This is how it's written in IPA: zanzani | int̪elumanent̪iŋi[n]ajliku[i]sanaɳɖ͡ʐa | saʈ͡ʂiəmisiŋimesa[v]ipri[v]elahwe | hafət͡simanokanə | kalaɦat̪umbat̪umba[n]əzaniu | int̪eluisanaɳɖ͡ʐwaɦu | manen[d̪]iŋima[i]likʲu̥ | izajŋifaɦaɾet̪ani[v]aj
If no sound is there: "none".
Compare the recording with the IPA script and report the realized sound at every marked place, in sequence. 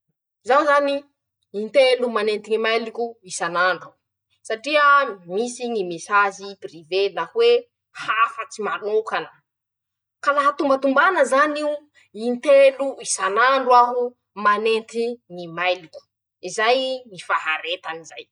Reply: m, i, z, v, n, t̪, j, z

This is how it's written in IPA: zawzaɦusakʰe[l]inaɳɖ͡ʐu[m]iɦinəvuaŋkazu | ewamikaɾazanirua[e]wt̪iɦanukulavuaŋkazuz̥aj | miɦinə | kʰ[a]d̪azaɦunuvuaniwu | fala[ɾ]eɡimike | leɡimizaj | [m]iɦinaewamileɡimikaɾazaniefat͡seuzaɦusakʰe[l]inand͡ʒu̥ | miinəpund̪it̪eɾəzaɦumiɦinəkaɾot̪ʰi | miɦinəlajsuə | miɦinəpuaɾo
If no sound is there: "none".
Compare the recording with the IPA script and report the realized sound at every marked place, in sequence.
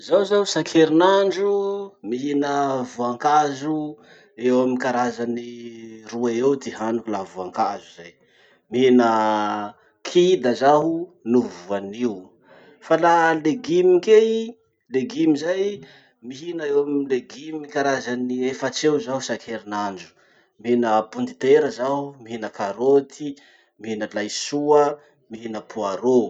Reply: ɾ, m, e, i, l, m, ɾ

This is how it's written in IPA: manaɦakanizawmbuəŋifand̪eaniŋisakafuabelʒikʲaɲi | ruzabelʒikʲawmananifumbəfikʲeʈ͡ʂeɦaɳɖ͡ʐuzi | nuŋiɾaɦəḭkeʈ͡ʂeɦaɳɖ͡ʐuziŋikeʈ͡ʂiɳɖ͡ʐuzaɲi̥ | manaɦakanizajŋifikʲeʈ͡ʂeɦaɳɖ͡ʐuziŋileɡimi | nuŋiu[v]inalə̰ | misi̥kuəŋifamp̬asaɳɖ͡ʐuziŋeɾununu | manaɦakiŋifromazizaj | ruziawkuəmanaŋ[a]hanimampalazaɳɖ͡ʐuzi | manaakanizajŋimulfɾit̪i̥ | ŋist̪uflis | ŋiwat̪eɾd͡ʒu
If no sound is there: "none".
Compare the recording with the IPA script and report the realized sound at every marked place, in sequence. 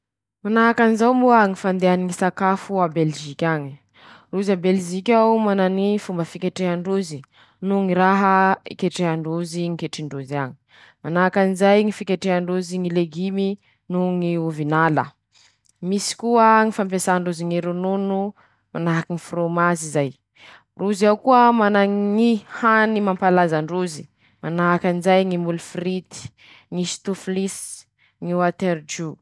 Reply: v, i

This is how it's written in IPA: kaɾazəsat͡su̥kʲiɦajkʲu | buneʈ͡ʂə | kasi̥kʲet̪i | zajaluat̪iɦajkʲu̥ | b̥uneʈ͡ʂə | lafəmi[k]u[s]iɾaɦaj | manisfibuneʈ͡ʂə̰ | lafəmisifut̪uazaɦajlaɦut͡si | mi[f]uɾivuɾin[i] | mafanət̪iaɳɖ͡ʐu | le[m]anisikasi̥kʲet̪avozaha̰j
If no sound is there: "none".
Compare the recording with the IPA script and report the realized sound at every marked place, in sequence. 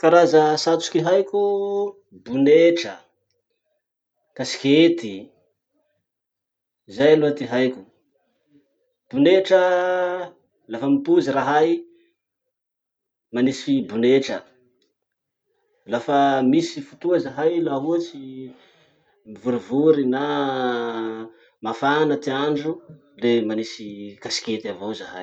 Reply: p, z, v, a, m

